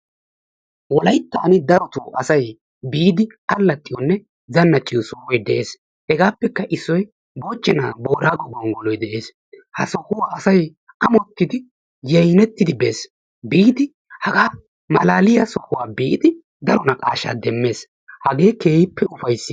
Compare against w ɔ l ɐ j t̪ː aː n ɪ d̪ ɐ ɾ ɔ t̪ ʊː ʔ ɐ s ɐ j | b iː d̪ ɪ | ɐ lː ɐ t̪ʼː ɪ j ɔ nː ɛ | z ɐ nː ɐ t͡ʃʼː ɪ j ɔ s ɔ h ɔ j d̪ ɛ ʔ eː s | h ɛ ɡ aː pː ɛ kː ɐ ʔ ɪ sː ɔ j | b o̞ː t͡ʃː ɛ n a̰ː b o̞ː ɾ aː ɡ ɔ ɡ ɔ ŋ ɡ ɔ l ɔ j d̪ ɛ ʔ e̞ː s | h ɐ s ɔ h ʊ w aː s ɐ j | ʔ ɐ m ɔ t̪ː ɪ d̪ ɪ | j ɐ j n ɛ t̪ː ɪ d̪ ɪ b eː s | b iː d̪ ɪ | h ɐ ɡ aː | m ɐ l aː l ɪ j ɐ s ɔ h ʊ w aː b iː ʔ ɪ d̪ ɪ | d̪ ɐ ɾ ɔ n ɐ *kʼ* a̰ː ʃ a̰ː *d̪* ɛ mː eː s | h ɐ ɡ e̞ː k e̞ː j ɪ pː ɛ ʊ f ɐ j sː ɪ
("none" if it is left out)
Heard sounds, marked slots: kʼ, d̪

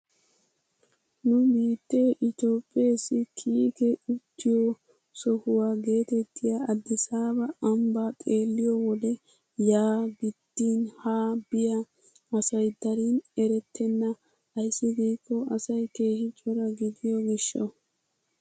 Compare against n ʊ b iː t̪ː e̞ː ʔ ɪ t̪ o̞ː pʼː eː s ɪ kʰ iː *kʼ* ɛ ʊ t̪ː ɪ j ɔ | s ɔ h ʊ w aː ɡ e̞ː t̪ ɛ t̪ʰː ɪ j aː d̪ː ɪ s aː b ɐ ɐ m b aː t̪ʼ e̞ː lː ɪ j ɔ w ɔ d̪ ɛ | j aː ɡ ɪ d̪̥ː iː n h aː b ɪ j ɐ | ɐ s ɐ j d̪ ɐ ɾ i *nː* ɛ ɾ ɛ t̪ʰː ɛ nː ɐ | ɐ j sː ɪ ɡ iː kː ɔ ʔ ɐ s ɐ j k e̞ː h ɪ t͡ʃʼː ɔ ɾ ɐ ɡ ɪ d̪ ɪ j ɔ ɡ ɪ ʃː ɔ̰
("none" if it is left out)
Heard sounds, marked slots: k, n

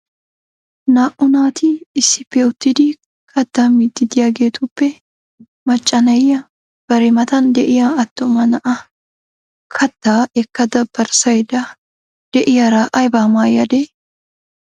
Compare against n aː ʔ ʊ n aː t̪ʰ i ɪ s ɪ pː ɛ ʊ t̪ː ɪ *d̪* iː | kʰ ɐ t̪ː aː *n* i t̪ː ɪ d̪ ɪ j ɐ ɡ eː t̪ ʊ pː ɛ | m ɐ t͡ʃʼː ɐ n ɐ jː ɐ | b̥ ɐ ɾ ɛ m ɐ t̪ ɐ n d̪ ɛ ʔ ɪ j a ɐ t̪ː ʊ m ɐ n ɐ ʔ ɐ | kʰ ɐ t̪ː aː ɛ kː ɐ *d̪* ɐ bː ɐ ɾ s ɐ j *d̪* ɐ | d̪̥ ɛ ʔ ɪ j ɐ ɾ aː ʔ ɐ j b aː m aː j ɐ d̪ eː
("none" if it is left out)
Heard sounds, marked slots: d̪, m, d̪, d̪

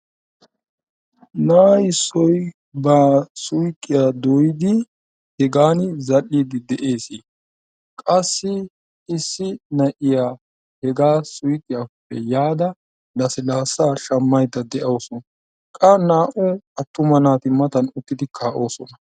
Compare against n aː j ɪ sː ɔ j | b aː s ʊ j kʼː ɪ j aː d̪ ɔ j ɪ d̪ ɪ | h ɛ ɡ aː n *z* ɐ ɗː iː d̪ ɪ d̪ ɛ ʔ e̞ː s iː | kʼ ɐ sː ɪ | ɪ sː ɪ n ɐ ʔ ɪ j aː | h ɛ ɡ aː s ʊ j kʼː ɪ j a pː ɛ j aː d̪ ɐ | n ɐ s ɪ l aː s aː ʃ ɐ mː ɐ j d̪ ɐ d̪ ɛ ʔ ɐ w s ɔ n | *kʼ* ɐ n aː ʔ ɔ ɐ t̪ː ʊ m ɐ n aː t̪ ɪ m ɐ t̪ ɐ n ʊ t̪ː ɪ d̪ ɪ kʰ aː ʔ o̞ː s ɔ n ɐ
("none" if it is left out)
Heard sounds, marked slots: z, kʼ

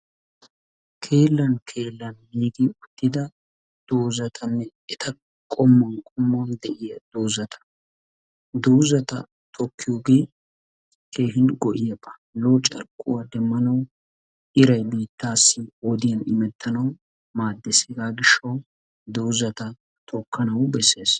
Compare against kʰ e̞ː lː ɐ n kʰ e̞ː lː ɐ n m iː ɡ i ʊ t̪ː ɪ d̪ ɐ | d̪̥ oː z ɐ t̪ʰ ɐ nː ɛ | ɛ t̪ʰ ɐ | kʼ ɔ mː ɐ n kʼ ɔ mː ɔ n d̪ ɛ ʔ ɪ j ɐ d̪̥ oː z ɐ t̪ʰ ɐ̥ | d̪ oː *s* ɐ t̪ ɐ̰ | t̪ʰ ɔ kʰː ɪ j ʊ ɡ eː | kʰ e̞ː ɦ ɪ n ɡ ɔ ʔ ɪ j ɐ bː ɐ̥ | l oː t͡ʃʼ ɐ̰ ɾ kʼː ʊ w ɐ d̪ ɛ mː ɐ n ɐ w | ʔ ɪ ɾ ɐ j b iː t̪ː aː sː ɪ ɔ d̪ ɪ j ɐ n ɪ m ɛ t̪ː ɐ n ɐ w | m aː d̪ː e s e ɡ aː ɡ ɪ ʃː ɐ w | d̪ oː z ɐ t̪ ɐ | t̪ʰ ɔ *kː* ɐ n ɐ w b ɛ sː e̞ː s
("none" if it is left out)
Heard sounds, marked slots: z, kː

